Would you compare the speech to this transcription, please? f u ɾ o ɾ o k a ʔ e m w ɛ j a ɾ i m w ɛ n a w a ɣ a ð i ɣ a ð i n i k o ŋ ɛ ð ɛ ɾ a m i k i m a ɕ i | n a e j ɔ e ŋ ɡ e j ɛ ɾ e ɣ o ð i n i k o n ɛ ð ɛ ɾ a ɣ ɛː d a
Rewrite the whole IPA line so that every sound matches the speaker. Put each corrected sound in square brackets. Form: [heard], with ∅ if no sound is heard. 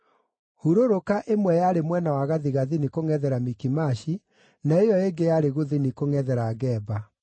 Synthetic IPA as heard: [h] u ɾ o ɾ o k a ʔ e m w ɛ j a ɾ [e] m w ɛ n a w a ɣ a ð i ɣ a ð i n i k o ŋ ɛ ð ɛ ɾ a m i k i m a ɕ i | n a e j ɔ e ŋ ɡ e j [a] ɾ e ɣ o ð i n i k o [ŋ] ɛ ð ɛ ɾ a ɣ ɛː [b] a